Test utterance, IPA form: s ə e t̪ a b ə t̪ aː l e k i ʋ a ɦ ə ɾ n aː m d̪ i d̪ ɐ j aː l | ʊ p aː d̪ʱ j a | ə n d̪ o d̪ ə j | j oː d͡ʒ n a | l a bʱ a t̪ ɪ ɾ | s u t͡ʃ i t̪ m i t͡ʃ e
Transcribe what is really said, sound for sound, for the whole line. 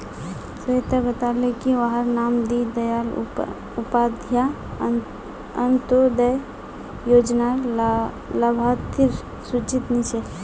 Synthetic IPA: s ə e t̪ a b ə t̪ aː l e k i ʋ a ɦ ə ɾ n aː m d̪ i d̪ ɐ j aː l | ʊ p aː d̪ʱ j a | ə n t̪ o d̪ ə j | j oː d͡ʒ n a | l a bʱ a t̪ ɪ ɾ | s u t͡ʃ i t̪ n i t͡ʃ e

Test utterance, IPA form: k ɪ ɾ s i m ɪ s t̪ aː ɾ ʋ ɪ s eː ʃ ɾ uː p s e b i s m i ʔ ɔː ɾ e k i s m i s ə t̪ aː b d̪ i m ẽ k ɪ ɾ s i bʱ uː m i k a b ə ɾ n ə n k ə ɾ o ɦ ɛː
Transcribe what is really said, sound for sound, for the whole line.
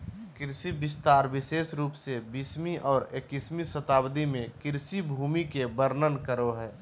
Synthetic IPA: k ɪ ɾ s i b ɪ s t̪ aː ɾ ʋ ɪ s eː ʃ ɾ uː p s e b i s m i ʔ ɔː ɾ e k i s m i s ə t̪ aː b d̪ i m ẽ k ɪ ɾ s i bʱ uː m i k e b ə ɾ n ə n k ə ɾ o ɦ ɛː

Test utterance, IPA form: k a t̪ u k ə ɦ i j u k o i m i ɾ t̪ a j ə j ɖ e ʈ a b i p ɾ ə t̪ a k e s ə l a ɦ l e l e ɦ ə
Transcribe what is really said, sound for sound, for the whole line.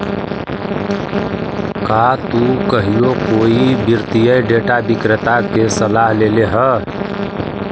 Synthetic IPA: k a t̪ u k ə ɦ i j o k o i b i ɾ t̪ i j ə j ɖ e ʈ a b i k ɾ ə t̪ a k e s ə l a ɦ l e l e ɦ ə

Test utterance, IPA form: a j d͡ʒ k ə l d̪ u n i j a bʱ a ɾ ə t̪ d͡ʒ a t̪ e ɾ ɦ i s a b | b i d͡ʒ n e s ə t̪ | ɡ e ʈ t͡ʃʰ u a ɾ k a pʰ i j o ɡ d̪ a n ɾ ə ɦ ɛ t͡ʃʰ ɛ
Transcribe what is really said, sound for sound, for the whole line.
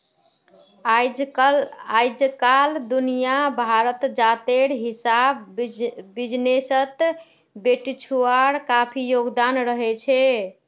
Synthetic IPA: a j d͡ʒ k a l d̪ u n i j a bʱ a ɾ ə t̪ d͡ʒ a t̪ e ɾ ɦ i s a b | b i d͡ʒ n e s ə t̪ | b e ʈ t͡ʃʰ u a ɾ k a pʰ i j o ɡ d̪ a n ɾ ə ɦ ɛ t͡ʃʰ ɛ

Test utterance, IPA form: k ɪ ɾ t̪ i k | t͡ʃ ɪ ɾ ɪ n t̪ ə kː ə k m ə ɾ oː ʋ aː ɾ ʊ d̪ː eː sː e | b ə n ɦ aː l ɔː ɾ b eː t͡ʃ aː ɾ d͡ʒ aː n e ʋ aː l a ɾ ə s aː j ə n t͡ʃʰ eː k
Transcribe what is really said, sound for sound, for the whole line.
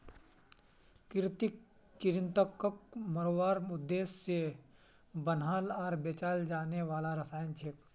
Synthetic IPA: k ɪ ɾ t̪ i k | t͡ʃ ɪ ɾ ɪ n t̪ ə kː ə k m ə ɾ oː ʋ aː ɾ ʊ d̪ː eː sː e | b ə n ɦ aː l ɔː ɾ b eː t͡ʃ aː l d͡ʒ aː n e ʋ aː l a ɾ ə s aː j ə n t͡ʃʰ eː k

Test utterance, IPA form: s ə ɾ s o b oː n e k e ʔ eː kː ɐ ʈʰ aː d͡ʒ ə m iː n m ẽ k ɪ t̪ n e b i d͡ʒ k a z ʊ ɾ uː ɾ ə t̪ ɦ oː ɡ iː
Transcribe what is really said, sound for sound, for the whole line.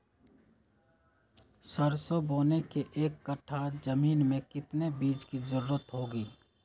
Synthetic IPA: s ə ɾ s o b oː n e k e ʔ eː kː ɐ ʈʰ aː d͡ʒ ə m iː n m ẽ k ɪ t̪ n e b iː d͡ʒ k i z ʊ ɾ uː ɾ ə t̪ ɦ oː ɡ iː

